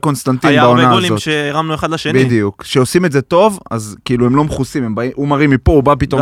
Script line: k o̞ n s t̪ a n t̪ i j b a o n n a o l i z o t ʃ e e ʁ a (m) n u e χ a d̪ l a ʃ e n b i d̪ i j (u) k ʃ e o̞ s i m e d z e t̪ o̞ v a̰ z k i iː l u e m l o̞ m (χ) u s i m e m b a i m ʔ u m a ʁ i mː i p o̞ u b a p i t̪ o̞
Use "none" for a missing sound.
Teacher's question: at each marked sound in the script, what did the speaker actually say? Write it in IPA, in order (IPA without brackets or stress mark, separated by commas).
m, u, χ